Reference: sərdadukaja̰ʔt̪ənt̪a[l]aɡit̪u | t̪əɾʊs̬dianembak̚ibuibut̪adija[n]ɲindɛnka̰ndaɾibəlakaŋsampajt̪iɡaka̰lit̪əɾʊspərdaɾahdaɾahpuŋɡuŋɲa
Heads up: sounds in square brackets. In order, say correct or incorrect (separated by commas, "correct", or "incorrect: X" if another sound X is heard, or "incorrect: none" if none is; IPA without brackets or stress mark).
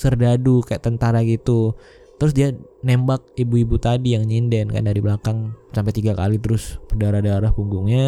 incorrect: ɾ, incorrect: ŋ